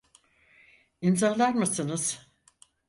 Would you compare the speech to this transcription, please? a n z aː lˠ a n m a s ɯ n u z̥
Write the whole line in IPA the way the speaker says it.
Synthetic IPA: i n z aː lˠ a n m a s ɯ n ɯ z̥